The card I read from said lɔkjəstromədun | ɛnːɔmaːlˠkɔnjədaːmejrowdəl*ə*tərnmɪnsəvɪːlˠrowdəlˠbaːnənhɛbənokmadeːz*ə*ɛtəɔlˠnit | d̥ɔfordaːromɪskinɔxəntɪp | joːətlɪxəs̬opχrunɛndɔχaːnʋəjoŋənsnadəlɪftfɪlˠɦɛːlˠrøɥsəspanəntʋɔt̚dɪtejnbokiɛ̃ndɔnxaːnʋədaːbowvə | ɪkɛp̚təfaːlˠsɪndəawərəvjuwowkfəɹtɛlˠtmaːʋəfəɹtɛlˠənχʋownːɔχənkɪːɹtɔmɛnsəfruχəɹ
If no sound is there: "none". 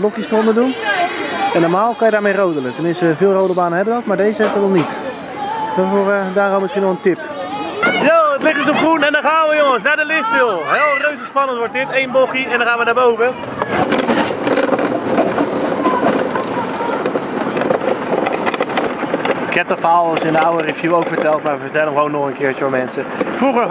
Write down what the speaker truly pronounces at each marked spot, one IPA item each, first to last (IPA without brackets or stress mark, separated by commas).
ə, ə